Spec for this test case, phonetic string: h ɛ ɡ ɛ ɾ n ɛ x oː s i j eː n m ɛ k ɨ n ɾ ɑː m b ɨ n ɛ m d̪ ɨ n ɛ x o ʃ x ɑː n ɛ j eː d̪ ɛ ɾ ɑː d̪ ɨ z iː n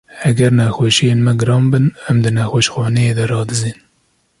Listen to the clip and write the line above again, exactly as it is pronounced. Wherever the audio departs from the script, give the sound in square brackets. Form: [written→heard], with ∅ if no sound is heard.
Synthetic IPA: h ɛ ɡ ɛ ɾ n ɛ x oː [s→ʃ] i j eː n m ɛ [k→ɡ] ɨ [n→∅] ɾ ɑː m b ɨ n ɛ m d̪ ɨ n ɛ x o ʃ x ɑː n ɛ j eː d̪ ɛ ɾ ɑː d̪ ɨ z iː n